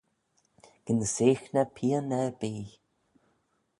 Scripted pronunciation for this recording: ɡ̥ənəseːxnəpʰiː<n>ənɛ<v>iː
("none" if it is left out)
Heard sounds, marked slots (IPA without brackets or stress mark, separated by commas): none, b